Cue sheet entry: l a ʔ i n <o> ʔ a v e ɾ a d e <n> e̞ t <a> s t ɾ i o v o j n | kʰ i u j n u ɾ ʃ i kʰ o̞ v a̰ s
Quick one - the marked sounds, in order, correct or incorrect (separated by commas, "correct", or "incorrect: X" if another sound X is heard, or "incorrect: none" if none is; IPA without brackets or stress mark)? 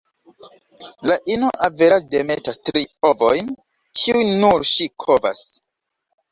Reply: correct, incorrect: m, correct